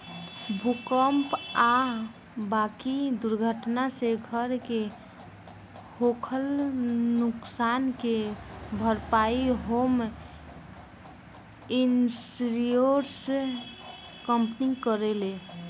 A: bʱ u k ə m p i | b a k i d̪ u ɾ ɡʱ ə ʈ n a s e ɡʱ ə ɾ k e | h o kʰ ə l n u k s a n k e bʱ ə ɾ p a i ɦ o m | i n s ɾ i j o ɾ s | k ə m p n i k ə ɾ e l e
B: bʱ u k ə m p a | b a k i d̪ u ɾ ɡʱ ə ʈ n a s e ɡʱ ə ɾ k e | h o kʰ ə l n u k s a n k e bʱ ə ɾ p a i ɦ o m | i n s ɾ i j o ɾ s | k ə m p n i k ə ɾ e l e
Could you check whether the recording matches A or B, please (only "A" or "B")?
B